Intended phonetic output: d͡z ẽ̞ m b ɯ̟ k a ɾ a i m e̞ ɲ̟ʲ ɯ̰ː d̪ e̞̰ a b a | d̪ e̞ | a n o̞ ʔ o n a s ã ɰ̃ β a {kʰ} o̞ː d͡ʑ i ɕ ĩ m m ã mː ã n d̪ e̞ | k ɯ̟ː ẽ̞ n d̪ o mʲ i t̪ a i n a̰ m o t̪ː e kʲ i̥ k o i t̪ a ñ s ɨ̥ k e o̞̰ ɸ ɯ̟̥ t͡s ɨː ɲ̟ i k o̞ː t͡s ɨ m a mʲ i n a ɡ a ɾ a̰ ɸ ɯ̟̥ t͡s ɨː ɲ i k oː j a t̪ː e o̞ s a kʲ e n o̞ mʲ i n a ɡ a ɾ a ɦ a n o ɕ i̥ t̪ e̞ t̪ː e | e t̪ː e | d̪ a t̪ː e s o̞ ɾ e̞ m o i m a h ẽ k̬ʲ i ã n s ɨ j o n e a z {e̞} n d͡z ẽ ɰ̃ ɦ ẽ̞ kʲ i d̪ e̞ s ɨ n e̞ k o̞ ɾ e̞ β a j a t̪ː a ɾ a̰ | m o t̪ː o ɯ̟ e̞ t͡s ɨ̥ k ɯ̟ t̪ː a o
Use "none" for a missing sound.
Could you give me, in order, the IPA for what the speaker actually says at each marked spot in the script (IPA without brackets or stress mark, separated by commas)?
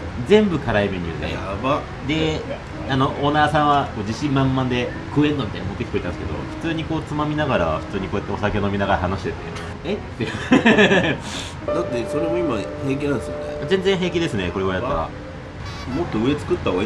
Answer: k, ẽ̞